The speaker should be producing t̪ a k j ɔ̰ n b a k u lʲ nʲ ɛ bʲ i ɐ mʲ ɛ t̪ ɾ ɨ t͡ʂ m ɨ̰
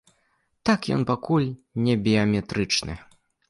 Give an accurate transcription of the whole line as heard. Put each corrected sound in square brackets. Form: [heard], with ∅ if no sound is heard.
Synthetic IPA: t̪ a k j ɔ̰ n [p] a k u lʲ nʲ ɛ bʲ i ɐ mʲ ɛ t̪ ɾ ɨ t͡ʂ [n] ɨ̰